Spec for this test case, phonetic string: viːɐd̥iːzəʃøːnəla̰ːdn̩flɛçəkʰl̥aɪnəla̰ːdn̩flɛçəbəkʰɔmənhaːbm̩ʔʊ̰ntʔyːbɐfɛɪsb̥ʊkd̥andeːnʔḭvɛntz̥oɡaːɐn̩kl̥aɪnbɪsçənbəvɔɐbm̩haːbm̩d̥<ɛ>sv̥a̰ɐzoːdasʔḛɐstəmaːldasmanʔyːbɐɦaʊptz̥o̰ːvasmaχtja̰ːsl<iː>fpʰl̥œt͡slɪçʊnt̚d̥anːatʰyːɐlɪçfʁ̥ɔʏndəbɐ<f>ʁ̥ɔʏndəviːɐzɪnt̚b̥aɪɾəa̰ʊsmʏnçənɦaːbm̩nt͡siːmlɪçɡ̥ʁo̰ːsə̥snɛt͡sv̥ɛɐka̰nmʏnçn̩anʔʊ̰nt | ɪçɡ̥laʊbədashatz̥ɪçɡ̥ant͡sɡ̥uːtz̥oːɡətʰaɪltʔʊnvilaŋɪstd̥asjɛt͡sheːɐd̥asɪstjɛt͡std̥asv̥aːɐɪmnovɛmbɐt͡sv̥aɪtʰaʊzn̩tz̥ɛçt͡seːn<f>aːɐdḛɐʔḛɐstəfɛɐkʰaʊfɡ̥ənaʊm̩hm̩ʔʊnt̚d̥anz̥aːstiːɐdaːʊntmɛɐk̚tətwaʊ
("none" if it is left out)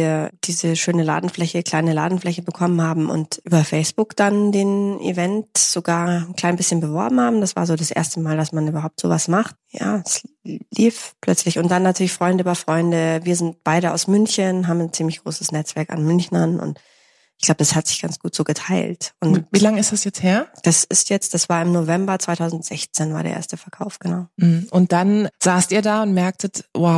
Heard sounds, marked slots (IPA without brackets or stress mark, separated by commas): a, iː, f, v